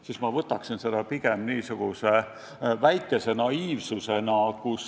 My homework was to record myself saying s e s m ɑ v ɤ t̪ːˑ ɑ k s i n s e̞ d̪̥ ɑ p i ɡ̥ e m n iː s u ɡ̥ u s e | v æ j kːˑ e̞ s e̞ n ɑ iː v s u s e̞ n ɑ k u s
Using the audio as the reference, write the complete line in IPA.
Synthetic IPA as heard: s i s m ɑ v ɤ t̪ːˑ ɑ k s i n s e̞ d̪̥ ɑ p i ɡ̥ e m n iː s u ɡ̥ u s e | v æ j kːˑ e̞ s e̞ n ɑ iː v s u s e̞ n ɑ k u s